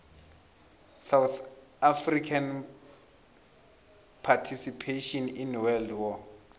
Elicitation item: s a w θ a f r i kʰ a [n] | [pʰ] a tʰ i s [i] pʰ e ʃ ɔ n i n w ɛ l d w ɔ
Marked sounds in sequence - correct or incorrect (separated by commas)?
correct, correct, correct